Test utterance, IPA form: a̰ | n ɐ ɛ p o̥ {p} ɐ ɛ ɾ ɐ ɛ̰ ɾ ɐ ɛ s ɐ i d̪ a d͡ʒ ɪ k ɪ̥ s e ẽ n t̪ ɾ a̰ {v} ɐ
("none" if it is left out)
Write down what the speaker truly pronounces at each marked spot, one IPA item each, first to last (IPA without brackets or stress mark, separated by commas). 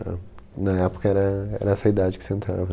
k, v